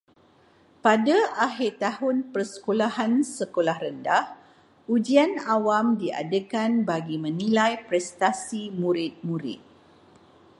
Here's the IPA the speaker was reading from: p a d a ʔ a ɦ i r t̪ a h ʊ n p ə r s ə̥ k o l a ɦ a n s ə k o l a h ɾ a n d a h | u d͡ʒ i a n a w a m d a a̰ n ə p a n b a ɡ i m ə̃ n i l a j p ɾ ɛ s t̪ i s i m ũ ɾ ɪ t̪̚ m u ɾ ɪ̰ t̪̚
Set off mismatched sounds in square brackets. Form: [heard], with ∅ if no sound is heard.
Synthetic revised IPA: p a d a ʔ a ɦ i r t̪ a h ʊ n p ə r s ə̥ k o l a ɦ a n s ə k o l a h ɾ [ə] n d a h | u d͡ʒ i a n a w a m d [i] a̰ [d] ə [k] a n b a ɡ i m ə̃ n i l a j p ɾ ɛ s t̪ [a] s i m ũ ɾ ɪ t̪̚ m u ɾ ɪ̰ t̪̚